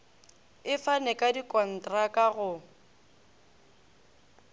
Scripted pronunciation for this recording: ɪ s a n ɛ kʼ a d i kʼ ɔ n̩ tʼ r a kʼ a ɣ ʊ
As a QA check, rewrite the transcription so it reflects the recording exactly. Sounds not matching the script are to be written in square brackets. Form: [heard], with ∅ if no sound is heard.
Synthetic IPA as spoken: ɪ [f] a n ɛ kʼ a d i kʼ ɔ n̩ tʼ r a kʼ a ɣ ʊ

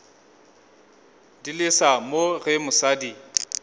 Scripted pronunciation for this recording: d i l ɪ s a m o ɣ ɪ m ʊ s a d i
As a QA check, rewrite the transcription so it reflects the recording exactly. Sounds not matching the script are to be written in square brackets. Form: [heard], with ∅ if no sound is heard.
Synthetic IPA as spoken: d i l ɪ s a m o ɣ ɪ m ʊ s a d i

